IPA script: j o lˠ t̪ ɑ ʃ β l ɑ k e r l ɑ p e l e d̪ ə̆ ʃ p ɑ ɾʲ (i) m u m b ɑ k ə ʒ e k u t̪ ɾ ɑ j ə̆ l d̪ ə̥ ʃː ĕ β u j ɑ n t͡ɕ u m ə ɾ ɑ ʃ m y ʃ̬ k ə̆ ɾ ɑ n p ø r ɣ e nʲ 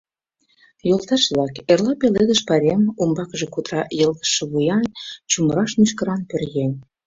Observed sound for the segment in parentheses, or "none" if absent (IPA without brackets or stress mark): e